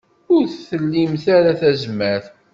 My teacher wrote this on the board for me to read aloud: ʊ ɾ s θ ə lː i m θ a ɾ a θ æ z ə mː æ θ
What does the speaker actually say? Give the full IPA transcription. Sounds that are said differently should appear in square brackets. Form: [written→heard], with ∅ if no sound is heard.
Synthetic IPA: ʊ ɾ [s→θ] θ ə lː i m θ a ɾ a θ æ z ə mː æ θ